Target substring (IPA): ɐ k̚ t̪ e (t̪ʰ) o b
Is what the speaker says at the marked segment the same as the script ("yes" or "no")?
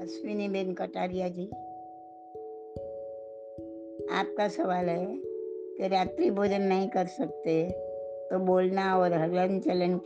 no